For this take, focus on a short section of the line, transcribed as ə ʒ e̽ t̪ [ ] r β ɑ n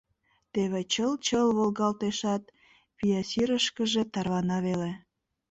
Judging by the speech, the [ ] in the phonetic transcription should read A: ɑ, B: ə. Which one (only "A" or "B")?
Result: A